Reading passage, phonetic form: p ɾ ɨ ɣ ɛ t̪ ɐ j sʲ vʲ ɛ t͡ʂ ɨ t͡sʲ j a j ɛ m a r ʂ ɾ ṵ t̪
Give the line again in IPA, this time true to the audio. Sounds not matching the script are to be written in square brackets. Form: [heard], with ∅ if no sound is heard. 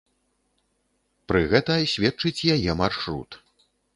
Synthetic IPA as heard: p ɾ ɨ ɣ ɛ t̪ ɐ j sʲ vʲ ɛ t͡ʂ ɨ t͡sʲ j a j ɛ m a r ʂ ɾ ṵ t̪